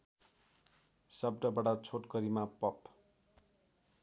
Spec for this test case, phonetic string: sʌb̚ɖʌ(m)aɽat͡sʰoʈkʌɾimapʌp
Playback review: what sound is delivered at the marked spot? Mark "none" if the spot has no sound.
b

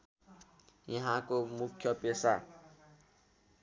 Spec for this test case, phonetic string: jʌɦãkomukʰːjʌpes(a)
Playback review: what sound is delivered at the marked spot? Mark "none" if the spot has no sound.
a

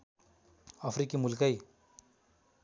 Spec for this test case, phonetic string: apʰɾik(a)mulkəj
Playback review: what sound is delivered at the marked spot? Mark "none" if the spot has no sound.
i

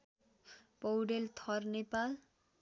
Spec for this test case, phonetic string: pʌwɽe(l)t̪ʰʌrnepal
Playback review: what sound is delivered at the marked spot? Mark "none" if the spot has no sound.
l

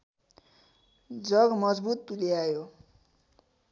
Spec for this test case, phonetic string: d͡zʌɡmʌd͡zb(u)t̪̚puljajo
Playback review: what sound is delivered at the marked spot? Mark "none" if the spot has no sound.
u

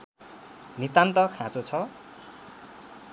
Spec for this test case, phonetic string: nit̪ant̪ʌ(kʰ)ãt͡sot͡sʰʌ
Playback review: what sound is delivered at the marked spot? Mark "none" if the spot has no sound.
kʰ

